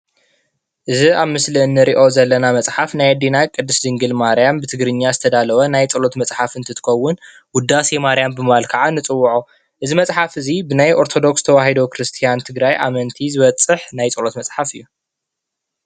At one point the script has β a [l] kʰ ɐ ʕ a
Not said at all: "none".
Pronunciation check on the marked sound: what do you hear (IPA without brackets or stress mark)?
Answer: l